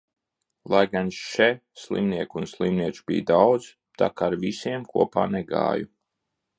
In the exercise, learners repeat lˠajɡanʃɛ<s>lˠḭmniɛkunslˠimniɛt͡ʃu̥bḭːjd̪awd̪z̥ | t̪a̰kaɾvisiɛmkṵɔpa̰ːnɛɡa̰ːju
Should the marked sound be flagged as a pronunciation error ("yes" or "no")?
no